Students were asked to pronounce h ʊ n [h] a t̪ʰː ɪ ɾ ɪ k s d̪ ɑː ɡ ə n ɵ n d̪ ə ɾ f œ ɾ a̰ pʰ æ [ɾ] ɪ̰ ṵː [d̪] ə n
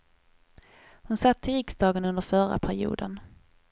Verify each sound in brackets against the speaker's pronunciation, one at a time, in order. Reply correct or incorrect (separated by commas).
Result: incorrect, correct, correct